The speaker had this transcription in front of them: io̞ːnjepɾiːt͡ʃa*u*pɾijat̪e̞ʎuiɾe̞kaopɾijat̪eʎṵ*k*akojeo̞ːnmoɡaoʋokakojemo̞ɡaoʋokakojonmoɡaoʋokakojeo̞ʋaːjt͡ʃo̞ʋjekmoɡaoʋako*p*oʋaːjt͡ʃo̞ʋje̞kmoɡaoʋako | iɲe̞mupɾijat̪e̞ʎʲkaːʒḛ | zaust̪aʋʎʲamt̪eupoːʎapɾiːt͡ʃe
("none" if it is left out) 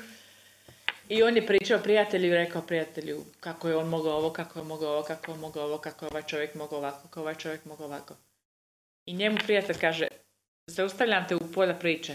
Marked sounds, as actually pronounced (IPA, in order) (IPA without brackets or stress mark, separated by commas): o, k, k